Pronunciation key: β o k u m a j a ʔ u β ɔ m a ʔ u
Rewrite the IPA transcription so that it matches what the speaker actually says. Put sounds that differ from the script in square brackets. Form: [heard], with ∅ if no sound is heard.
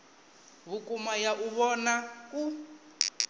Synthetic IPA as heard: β [u] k u m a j a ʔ u β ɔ [n] a [k] u